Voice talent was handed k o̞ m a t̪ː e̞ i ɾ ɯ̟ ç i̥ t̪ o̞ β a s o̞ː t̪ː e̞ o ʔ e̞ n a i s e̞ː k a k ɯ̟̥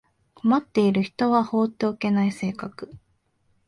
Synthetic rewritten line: k o̞ m a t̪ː e̞ i ɾ ɯ̟ ç i̥ t̪ o̞ β a h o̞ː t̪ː e̞ o k e̞ n a i s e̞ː k a k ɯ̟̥